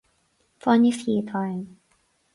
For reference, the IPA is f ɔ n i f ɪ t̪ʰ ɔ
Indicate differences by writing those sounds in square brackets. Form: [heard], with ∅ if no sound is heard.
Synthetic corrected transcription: f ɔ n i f [i] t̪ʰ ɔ